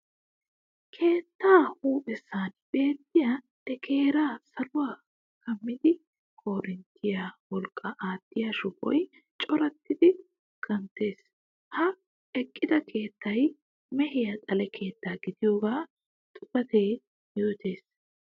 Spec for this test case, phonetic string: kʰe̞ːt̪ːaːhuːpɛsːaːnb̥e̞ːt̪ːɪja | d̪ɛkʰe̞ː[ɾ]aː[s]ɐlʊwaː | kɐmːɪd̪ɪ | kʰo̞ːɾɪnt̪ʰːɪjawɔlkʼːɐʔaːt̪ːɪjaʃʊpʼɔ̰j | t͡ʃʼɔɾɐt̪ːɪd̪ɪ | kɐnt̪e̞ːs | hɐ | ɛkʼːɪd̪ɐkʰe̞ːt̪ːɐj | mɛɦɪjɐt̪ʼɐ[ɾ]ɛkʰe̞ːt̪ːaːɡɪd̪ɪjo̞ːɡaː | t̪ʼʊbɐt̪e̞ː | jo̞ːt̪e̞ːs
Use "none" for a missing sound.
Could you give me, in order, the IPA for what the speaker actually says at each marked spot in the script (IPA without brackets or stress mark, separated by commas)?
ɾ, s, l